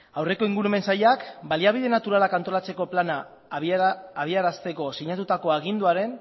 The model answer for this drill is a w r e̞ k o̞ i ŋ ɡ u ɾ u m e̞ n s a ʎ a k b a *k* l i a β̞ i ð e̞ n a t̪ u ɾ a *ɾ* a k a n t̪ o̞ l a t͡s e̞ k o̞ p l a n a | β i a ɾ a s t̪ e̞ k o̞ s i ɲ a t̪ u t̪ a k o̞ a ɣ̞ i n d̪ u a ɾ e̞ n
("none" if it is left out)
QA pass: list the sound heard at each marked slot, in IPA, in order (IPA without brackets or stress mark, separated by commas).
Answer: none, l